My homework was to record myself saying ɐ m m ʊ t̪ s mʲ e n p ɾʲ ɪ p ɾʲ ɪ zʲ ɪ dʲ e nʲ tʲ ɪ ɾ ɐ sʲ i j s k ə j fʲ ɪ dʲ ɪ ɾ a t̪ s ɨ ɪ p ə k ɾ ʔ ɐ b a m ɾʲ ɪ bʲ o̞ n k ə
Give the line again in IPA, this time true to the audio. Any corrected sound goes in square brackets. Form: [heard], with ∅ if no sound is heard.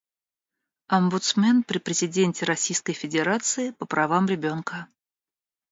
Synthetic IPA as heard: ɐ m [b] ʊ t̪ s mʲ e n p ɾʲ ɪ p ɾʲ ɪ zʲ ɪ dʲ e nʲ tʲ ɪ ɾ ɐ sʲ i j s k ə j fʲ ɪ dʲ ɪ ɾ a t̪ s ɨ ɪ p ə [p] ɾ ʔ ɐ [v] a m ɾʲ ɪ bʲ o̞ n k ə